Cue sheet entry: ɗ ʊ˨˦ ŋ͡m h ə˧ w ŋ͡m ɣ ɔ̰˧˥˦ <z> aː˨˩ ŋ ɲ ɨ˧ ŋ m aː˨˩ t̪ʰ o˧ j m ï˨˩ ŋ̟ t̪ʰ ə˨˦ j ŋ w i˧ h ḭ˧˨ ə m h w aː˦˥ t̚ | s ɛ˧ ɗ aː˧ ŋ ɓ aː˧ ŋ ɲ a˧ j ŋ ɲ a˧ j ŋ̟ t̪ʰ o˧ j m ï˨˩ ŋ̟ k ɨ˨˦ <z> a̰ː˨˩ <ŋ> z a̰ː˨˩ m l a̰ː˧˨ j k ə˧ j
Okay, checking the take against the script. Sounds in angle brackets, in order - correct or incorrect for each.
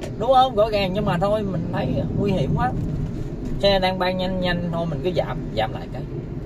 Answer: incorrect, correct, incorrect

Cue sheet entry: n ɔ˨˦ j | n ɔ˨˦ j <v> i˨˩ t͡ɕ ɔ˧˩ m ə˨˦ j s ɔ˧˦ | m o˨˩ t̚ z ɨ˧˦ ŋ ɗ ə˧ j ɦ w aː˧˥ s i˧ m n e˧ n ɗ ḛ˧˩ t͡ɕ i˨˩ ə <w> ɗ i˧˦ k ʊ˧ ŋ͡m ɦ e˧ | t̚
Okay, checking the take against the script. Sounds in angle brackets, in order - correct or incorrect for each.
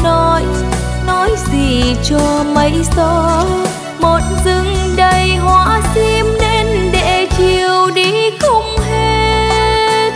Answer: incorrect, correct

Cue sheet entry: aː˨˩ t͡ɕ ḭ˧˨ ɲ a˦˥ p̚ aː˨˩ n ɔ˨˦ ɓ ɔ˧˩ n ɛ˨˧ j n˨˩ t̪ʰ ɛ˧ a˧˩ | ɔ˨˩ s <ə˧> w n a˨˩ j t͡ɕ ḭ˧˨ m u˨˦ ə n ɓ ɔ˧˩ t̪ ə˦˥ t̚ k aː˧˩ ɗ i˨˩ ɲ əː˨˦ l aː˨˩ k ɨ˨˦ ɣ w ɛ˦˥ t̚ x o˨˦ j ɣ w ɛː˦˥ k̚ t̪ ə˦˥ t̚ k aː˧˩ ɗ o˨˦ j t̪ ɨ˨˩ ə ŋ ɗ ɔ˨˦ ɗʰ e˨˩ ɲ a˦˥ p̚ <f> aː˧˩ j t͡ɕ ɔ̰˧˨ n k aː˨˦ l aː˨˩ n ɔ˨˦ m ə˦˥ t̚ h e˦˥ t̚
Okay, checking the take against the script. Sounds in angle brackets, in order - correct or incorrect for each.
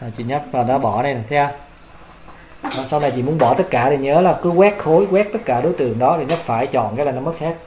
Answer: incorrect, correct

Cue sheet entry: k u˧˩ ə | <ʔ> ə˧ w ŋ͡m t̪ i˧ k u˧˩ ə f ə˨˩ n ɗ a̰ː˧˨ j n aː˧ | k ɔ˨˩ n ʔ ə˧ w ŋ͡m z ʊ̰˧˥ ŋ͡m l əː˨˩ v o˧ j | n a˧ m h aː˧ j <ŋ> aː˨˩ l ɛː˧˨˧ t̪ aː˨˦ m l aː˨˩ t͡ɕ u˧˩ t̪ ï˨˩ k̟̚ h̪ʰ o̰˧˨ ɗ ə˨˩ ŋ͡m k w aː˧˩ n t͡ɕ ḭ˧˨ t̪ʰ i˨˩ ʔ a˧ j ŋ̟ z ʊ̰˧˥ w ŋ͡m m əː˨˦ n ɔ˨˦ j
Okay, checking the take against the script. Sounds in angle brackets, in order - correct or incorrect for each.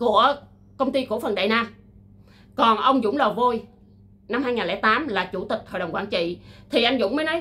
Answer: incorrect, correct

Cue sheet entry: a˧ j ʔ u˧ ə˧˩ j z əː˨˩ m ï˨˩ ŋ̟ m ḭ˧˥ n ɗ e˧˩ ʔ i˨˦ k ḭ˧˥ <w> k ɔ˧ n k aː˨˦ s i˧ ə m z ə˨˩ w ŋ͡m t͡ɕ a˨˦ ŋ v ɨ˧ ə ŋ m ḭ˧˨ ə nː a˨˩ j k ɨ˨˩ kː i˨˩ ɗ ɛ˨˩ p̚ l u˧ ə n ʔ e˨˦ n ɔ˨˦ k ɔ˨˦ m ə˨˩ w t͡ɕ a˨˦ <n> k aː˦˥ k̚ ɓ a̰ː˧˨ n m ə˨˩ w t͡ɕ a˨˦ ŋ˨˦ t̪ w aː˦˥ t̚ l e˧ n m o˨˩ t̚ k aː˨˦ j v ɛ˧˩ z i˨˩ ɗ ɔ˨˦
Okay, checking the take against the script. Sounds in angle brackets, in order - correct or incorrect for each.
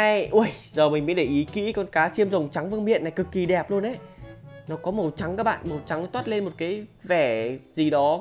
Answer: incorrect, incorrect

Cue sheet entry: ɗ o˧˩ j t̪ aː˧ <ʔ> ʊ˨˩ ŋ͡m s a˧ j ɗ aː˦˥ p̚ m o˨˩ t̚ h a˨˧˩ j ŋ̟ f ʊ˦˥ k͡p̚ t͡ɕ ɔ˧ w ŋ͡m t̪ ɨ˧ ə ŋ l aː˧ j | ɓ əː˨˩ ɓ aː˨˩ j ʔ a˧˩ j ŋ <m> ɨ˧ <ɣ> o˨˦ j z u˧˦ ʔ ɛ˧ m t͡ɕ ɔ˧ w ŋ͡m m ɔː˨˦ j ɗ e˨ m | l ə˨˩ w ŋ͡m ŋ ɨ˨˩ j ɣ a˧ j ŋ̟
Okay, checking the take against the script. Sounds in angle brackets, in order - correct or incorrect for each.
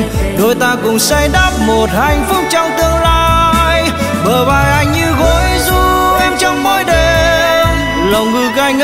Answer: incorrect, incorrect, correct

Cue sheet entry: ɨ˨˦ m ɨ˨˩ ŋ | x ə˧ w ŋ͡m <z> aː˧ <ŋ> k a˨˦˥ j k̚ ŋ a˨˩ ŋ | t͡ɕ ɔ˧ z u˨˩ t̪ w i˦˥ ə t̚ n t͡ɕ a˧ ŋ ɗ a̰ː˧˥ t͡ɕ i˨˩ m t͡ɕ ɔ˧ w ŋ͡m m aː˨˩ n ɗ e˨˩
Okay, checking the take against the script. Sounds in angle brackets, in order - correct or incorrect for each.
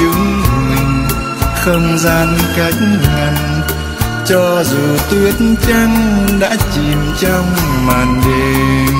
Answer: correct, incorrect

